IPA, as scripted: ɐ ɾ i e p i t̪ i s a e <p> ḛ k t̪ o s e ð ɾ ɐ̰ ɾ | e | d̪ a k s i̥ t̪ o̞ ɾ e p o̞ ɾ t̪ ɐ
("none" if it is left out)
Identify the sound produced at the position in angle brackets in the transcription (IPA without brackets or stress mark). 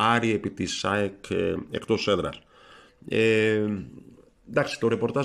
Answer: k